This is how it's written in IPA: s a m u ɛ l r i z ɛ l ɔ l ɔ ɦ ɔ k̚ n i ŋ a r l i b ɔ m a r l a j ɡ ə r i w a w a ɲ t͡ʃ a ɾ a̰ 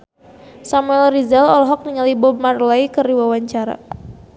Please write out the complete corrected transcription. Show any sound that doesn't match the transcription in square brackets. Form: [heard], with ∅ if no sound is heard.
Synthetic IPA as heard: s a m u ɛ l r i z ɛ l ɔ l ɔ ɦ ɔ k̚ n i ŋ a [∅] l i b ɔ m a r l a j [k] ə r i w a w a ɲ t͡ʃ a ɾ a̰